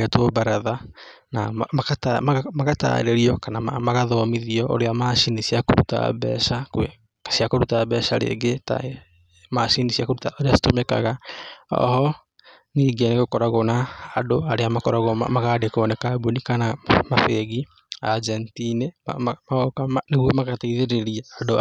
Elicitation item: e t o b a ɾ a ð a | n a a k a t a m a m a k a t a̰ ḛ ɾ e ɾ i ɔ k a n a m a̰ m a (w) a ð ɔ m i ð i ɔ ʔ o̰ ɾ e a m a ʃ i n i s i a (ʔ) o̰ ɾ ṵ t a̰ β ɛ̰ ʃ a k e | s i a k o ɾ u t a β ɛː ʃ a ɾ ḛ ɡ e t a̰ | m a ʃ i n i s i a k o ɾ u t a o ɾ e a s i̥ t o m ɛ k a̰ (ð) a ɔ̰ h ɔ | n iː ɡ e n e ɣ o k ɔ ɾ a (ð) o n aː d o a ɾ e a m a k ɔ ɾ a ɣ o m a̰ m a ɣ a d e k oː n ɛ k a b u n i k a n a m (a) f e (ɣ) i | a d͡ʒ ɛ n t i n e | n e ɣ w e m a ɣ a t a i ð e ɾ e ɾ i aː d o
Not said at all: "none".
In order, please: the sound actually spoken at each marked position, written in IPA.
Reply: ɣ, k, ɣ, ɣ, a, ɣ

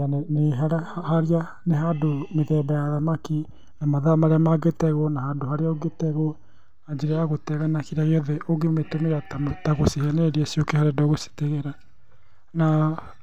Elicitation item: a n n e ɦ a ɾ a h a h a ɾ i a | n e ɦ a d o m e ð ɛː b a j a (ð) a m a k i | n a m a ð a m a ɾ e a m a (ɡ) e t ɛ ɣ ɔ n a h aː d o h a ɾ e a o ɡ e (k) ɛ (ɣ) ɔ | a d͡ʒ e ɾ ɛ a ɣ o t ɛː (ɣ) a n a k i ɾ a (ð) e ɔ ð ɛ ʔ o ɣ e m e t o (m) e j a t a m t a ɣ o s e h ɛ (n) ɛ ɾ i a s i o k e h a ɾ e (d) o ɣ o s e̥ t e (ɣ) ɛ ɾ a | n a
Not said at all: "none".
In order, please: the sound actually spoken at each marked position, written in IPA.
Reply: ð, ɡ, t, ɣ, ɣ, ɣ, m, n, d, ɣ

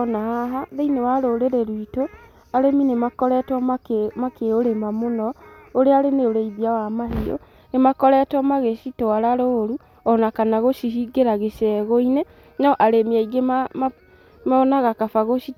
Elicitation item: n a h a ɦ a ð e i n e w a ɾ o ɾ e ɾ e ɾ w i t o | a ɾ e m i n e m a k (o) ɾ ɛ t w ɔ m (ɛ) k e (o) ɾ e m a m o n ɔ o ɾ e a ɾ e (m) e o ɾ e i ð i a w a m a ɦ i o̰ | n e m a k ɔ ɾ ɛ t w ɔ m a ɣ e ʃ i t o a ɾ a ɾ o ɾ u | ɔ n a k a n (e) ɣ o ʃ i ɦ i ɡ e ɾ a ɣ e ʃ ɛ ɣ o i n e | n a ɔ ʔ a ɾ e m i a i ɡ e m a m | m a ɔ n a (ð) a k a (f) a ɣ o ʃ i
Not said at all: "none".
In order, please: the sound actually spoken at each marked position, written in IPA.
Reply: ɔ, a, o, n, a, ɣ, f

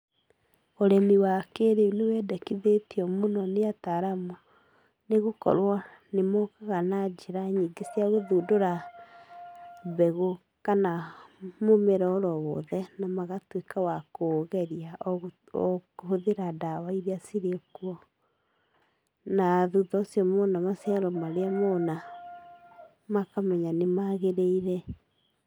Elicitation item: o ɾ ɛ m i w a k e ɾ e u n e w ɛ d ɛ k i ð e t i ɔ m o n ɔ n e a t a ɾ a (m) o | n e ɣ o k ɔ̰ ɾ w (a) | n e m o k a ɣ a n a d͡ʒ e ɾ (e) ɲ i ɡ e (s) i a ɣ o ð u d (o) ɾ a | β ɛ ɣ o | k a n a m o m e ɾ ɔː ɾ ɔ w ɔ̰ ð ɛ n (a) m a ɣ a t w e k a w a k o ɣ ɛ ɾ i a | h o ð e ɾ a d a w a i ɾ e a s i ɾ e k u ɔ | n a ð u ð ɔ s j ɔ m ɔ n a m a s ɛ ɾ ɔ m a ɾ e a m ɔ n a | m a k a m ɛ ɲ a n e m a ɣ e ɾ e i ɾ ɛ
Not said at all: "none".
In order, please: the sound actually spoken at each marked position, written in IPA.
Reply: m, a, a, s, o, a

